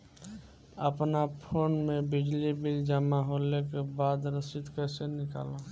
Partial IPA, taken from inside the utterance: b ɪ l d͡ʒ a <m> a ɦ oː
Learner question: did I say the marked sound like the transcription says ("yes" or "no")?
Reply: yes